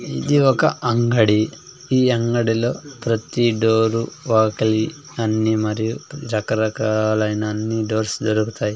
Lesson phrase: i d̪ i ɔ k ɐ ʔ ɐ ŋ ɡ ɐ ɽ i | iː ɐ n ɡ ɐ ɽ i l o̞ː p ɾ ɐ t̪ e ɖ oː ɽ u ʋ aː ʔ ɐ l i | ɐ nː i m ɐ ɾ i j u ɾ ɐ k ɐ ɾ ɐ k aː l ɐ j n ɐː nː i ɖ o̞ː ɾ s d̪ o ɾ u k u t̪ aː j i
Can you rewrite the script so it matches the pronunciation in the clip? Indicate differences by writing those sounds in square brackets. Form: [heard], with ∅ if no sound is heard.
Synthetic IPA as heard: i d̪ i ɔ k ɐ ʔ ɐ ŋ ɡ ɐ ɽ i | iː ɐ [ŋ] ɡ ɐ ɽ i l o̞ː p ɾ ɐ t̪ [i] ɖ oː [ɾ] u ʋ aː [k] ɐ l i | ɐ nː i m ɐ ɾ i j u ɾ ɐ k ɐ ɾ ɐ k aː l ɐ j n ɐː nː i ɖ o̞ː ɾ s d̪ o ɾ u k u t̪ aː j i